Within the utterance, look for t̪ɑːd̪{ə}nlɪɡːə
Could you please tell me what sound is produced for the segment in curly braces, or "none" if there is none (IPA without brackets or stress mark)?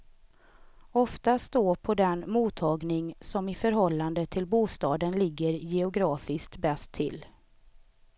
ə